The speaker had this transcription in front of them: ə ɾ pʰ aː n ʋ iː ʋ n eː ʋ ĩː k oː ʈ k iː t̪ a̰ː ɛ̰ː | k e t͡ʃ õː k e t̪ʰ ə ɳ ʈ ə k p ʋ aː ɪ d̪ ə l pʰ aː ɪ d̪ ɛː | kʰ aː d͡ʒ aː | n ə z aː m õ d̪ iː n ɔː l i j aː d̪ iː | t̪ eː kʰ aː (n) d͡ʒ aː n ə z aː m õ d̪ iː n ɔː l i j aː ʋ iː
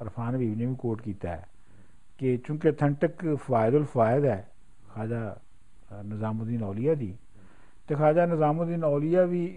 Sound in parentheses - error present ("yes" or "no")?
yes